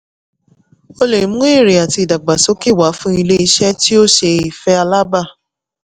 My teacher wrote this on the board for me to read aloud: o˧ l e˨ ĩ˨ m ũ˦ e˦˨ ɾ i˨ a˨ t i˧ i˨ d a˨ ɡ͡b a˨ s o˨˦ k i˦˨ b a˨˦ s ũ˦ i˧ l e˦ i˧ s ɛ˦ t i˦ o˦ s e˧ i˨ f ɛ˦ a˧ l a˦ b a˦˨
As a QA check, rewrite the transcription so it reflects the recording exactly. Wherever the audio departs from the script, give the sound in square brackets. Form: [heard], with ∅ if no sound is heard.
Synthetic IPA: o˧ l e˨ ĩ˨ m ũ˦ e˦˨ ɾ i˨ a˨ t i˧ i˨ d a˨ ɡ͡b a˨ s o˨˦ k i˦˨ [w] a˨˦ [f] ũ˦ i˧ l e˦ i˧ [ʃ] ɛ˦ t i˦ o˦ [ʃ] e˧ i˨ f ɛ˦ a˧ l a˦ b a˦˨